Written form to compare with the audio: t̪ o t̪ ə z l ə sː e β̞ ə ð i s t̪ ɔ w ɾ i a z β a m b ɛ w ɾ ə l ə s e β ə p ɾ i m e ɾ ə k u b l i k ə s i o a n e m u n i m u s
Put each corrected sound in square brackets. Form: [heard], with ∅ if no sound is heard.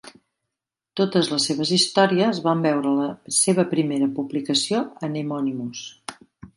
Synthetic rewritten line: t̪ o t̪ ə z l ə sː e β̞ ə [z] i s t̪ ɔ [∅] ɾ i [ə] z β a m b ɛ w ɾ ə l ə s e β ə p ɾ i m e ɾ ə [p] u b l i k ə s i o [ə] n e m [ɔ] n i m u s